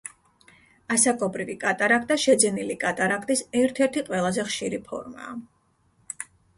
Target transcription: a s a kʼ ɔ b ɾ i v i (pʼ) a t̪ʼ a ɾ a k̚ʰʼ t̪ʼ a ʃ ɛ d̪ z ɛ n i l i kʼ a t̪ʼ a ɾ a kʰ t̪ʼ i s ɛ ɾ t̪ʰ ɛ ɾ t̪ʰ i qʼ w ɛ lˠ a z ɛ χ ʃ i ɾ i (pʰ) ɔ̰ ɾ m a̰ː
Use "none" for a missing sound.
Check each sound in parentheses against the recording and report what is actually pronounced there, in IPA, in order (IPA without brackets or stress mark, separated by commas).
kʼ, pʰ